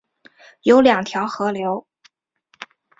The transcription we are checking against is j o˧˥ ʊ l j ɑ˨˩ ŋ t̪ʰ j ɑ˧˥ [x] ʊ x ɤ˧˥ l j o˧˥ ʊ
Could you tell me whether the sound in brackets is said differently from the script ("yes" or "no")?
yes